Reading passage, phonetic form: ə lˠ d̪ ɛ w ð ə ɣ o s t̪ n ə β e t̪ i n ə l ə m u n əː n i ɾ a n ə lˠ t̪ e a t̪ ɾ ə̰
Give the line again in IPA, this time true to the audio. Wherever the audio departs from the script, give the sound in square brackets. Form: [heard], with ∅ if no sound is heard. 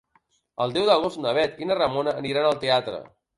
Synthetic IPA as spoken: ə lˠ d̪ ɛ w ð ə ɣ o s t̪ n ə β [ɛ] t̪ i n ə [r] ə m [o] n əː n i ɾ a n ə lˠ t̪ e a t̪ ɾ ə̰